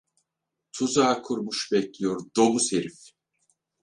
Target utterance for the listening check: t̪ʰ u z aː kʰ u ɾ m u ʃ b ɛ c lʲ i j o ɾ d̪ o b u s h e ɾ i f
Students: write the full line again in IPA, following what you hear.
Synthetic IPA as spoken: t̪ʰ u z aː kʰ u ɾ m u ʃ b ɛ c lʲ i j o ɾ d̪ o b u s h e ɾ i f